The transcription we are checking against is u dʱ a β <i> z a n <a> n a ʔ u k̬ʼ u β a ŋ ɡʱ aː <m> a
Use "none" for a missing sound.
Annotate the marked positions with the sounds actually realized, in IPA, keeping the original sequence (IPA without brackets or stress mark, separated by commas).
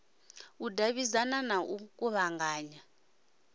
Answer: i, a, ɲ